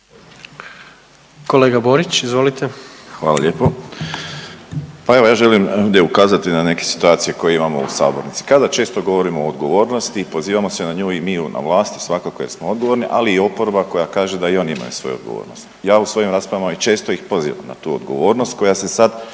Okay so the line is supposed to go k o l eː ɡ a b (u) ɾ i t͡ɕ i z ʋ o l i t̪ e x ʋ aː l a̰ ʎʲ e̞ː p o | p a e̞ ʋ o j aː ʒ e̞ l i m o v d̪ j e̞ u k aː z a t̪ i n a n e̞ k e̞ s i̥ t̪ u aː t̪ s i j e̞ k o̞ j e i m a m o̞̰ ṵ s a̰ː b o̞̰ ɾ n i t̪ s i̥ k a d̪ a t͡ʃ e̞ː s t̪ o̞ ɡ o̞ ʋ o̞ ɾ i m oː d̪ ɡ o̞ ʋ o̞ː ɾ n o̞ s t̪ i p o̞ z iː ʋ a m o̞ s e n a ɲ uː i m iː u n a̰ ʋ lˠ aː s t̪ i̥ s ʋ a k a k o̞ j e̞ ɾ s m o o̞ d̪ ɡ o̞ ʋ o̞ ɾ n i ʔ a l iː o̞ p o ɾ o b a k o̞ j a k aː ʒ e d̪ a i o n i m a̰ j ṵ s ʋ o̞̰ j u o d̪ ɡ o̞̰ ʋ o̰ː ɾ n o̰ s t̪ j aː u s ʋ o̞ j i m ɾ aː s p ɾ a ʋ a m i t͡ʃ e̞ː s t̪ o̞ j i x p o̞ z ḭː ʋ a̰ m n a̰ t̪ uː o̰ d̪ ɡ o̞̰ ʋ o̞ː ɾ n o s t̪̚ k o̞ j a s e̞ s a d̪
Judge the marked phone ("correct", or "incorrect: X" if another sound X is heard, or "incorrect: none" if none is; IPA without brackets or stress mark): incorrect: o